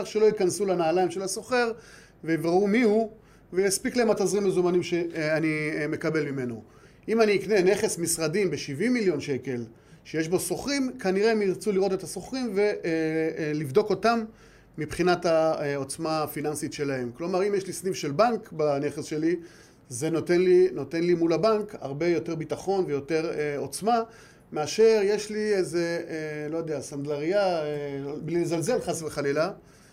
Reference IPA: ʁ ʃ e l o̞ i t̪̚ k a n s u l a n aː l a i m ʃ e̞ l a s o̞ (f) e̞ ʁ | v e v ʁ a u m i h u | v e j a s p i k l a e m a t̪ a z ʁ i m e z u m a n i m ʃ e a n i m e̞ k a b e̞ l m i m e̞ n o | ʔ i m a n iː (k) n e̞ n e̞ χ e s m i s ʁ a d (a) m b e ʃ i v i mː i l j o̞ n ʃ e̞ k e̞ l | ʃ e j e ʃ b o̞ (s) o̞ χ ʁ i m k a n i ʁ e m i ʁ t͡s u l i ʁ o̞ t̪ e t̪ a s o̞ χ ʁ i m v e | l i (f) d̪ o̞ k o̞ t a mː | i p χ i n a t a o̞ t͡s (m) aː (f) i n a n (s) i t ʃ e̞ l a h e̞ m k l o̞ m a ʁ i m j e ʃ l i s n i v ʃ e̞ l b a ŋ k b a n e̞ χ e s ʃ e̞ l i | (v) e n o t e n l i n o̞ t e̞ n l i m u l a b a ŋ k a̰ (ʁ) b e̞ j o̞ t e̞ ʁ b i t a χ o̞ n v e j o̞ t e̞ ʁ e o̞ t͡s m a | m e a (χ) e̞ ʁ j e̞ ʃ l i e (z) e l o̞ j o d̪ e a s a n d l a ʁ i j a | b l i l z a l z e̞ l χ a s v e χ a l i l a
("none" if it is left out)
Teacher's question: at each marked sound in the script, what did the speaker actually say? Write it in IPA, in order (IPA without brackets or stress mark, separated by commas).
χ, k, i, s, v, m, f, s, z, ʁ, ʃ, z